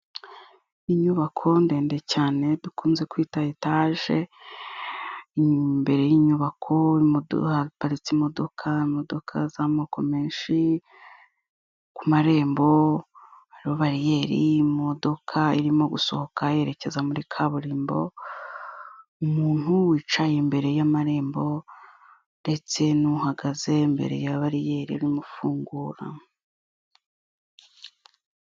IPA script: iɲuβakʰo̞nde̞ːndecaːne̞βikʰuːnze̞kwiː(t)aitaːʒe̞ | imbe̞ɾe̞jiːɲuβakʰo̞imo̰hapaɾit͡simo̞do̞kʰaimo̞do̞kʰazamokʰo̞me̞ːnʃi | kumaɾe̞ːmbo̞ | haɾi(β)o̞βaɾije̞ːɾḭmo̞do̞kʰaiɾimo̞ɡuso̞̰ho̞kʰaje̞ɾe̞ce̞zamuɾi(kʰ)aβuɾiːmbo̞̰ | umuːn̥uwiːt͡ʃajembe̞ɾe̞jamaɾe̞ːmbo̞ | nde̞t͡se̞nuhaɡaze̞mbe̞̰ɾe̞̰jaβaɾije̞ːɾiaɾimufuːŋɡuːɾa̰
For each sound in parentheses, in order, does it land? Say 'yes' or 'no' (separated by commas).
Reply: yes, yes, yes